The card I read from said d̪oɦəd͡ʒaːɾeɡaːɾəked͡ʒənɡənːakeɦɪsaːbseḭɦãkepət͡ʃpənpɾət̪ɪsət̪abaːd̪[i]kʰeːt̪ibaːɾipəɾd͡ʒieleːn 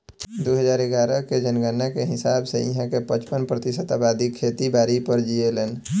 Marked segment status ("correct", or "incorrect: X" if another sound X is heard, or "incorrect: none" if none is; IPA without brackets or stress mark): correct